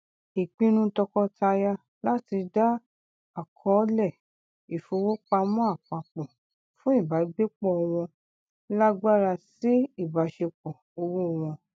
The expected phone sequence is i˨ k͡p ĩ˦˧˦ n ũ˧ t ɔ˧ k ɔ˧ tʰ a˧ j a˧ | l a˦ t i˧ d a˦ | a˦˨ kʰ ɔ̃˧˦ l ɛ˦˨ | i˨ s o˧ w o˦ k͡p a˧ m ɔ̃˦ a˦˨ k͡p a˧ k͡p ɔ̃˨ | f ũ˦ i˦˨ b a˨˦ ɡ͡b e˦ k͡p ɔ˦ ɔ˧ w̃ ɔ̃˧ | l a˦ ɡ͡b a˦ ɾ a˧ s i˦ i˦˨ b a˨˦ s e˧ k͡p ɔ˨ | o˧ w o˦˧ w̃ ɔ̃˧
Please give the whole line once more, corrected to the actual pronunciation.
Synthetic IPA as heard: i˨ k͡p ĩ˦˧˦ n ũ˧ t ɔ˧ k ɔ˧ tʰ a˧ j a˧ | l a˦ t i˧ d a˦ | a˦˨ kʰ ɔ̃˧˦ l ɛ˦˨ | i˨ f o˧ w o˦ k͡p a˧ m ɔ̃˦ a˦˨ k͡p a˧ k͡p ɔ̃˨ | f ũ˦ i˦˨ b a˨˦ ɡ͡b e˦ k͡p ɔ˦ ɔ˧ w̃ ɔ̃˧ | l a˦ ɡ͡b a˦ ɾ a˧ s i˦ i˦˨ b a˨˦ ʃ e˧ k͡p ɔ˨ | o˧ w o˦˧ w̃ ɔ̃˧